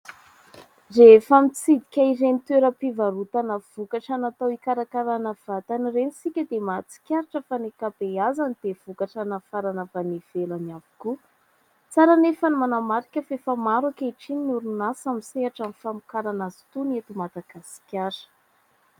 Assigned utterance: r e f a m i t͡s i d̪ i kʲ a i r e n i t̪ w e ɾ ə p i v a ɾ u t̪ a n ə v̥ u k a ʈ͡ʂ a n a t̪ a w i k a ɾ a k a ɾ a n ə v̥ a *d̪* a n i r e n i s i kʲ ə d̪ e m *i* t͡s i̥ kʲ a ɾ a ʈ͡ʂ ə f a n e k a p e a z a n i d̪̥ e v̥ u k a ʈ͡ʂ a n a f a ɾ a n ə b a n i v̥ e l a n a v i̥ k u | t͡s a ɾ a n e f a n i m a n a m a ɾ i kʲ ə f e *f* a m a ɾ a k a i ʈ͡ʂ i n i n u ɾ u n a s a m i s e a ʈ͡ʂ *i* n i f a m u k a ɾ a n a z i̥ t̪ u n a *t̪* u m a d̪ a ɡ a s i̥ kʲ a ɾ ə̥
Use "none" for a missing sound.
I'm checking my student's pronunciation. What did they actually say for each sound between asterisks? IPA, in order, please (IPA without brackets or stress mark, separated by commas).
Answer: t̪, a, f, a, t̪